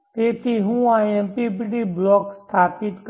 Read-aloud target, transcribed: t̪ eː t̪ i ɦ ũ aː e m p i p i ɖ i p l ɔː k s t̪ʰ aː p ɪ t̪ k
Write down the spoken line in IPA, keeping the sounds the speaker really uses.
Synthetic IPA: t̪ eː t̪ i ɦ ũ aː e m p i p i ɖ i b l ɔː k s t̪ʰ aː p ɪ t̪ k